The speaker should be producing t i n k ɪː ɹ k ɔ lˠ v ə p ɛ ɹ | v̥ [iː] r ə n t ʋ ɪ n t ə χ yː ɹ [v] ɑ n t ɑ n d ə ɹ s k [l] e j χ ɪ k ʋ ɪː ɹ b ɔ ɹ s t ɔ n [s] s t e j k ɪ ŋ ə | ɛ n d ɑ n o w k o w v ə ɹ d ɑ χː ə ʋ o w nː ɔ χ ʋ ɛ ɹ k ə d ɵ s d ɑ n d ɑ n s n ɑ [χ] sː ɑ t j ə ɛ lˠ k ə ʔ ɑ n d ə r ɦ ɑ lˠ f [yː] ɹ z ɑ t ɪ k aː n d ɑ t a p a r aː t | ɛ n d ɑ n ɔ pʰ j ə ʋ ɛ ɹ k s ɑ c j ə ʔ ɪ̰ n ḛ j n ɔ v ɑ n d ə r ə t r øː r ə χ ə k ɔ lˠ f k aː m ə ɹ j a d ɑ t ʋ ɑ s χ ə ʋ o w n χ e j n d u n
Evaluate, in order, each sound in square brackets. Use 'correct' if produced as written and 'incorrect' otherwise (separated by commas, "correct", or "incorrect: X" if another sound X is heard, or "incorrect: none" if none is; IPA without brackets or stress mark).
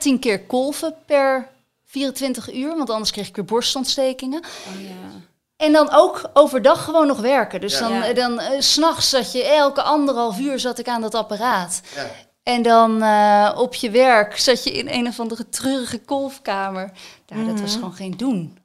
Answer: correct, incorrect: ʋ, incorrect: r, incorrect: t, correct, correct